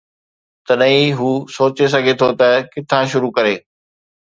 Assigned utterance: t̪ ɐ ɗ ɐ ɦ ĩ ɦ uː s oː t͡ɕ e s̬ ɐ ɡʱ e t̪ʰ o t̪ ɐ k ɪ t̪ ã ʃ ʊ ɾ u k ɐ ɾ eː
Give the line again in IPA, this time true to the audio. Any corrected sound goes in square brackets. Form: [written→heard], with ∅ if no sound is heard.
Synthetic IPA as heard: t̪ ɐ ɗ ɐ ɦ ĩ ɦ uː s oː t͡ɕ e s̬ ɐ ɡʱ e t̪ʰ o t̪ ɐ k ɪ [t̪→t̪ʰ] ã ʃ ʊ ɾ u k ɐ ɾ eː